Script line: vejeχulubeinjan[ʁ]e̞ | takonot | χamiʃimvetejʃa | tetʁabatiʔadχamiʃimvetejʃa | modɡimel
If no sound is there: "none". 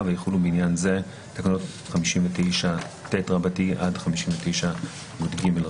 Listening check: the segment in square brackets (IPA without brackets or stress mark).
z